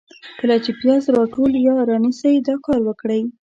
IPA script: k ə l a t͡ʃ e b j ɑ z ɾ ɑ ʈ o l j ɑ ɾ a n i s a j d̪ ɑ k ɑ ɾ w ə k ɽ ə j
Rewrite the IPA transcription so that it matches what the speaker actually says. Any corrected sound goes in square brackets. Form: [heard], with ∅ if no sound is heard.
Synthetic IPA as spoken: k ə l a t͡ʃ e [p] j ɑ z ɾ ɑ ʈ o l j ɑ ɾ [ɑ] n i s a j d̪ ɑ k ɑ ɾ w ə k ɽ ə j